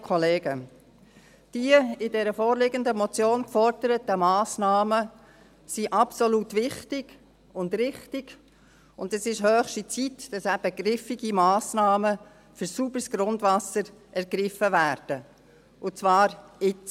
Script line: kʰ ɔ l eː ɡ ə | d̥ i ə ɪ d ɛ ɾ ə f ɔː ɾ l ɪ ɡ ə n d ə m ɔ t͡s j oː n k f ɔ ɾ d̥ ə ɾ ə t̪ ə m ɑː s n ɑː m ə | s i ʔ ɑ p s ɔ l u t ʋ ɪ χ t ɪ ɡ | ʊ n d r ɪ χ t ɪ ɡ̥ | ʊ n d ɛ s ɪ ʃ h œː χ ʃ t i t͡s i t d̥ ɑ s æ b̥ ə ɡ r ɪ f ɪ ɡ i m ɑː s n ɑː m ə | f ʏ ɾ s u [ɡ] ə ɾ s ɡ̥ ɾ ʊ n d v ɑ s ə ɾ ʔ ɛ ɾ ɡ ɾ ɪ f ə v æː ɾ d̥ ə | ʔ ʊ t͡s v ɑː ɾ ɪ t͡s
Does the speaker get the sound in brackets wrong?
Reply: yes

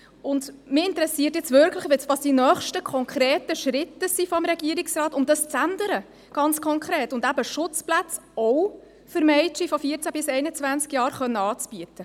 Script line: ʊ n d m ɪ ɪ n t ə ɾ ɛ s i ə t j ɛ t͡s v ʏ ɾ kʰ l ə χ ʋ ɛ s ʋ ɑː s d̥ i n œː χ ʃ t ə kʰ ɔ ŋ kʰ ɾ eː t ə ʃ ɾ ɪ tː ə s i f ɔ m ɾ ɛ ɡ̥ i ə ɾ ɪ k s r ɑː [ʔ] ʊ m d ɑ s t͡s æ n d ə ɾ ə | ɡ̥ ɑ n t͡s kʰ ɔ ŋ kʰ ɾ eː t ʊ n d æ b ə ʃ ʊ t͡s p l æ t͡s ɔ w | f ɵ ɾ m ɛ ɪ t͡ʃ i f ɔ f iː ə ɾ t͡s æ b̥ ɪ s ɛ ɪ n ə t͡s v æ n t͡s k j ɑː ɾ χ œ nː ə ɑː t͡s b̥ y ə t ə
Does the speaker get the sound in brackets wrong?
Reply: yes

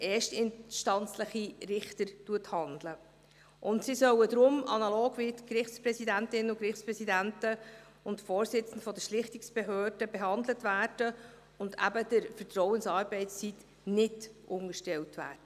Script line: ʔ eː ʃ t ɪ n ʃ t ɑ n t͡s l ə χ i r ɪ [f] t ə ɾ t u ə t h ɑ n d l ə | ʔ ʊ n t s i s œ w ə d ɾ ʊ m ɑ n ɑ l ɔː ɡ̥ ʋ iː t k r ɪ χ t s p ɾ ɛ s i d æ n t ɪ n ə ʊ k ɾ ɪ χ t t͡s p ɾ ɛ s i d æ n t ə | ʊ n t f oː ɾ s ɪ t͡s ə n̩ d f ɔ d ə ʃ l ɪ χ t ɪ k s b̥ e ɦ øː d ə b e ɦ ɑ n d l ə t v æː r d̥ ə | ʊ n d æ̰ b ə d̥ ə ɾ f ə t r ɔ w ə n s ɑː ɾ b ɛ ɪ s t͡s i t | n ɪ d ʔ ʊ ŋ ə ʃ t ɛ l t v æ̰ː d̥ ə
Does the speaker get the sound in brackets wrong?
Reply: yes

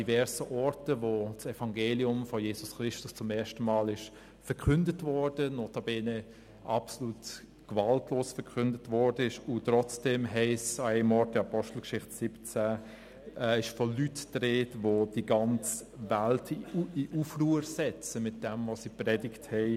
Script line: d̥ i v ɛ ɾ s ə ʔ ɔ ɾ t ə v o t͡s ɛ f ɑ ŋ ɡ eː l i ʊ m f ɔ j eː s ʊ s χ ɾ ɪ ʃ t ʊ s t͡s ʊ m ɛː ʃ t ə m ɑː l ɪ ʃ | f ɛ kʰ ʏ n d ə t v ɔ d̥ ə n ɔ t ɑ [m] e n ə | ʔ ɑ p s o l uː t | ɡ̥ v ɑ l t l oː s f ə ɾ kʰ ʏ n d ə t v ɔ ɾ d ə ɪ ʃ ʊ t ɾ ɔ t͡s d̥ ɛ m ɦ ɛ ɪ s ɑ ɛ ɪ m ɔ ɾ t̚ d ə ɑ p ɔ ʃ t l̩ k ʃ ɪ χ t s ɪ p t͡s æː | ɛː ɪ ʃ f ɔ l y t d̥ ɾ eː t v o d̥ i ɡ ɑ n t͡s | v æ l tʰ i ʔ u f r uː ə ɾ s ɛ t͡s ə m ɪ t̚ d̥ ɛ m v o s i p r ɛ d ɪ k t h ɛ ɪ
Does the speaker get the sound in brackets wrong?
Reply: yes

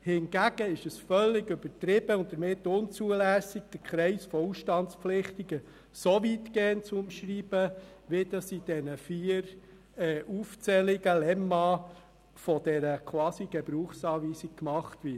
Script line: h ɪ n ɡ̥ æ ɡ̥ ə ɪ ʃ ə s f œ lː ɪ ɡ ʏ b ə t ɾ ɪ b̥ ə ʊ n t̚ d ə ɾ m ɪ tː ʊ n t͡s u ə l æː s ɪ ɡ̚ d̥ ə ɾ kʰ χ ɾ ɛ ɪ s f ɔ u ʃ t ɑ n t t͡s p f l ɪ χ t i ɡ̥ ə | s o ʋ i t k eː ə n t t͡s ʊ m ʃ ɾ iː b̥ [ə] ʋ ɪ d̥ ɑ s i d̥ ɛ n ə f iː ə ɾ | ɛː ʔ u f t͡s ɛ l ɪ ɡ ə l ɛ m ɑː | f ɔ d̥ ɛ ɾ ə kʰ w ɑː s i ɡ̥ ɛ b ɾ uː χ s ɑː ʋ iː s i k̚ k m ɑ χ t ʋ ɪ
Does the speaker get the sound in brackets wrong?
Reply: no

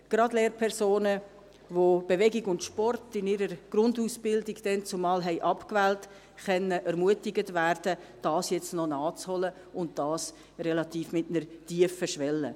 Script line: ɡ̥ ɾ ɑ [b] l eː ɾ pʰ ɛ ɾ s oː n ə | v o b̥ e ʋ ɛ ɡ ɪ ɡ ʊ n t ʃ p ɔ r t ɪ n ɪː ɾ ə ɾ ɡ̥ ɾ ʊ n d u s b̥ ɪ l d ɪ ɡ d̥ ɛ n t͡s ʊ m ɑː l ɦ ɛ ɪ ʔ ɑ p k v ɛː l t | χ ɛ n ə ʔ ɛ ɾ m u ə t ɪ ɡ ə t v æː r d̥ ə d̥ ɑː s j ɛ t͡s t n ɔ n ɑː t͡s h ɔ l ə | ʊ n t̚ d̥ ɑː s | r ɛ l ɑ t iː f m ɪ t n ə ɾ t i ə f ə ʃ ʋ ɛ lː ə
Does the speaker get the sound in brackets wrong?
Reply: yes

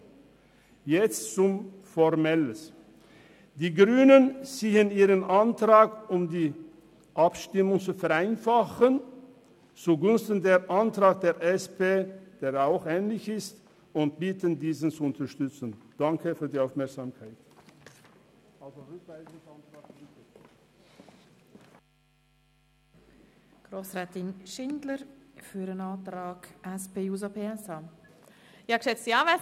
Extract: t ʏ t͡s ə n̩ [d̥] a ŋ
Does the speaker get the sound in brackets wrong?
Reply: no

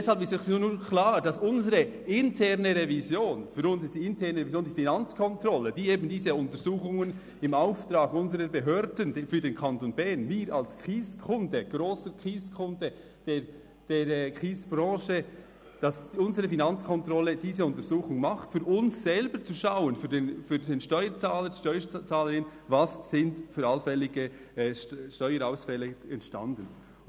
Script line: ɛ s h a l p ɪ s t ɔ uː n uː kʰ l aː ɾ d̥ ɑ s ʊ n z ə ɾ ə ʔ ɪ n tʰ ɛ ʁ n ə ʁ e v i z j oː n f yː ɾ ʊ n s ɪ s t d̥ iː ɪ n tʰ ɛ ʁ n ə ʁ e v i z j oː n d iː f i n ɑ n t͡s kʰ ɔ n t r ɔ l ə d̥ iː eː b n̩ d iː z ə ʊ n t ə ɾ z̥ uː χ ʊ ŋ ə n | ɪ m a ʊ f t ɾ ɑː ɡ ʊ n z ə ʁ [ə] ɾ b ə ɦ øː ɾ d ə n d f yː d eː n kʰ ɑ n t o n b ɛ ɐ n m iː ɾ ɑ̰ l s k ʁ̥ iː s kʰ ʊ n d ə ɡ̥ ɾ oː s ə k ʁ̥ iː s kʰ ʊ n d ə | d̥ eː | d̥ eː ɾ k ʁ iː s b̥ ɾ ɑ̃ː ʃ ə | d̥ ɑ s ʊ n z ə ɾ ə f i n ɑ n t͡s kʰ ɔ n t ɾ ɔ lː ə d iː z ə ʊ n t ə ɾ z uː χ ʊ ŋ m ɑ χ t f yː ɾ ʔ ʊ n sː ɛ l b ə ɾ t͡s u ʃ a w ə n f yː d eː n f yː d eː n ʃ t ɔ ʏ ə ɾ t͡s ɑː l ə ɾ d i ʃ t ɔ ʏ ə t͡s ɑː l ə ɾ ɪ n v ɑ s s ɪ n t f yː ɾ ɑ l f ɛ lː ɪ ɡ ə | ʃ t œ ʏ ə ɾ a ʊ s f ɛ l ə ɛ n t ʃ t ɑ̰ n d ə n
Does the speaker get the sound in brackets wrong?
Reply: no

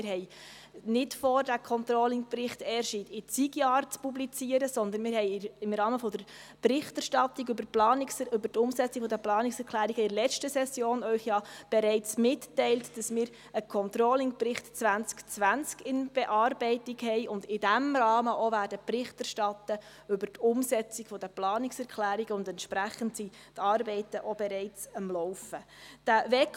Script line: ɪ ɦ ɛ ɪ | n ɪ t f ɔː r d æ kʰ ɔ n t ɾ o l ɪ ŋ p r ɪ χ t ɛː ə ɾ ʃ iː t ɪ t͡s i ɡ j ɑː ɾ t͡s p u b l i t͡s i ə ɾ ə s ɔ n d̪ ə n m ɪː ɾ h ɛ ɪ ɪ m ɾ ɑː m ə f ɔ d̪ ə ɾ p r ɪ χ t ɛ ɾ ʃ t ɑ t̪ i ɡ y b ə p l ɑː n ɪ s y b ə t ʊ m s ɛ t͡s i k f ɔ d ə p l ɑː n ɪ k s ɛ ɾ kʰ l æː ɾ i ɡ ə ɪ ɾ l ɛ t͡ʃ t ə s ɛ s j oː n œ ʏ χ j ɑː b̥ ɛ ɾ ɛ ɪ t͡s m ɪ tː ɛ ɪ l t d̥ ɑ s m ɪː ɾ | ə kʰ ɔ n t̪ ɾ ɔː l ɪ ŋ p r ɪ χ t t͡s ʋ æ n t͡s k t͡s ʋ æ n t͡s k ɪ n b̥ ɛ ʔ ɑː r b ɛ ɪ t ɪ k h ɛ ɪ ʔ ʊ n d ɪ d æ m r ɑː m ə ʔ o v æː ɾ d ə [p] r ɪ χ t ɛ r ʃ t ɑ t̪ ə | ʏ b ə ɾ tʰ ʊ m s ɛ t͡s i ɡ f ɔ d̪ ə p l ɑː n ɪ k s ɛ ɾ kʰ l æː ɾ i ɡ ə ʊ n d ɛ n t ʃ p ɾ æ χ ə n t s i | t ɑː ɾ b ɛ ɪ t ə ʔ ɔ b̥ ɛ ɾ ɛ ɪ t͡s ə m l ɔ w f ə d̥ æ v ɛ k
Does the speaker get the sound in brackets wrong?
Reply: no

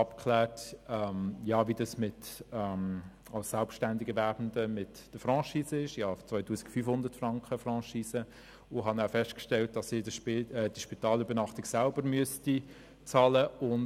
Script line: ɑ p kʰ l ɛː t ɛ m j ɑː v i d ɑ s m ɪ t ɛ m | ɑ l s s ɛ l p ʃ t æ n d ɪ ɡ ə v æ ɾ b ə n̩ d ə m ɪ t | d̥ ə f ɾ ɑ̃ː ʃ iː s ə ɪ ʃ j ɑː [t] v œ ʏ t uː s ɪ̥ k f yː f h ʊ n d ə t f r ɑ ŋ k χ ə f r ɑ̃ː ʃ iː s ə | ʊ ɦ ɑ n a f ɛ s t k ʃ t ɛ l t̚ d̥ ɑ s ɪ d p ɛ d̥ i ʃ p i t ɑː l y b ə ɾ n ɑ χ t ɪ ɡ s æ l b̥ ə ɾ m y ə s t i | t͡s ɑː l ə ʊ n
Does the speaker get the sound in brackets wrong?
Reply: yes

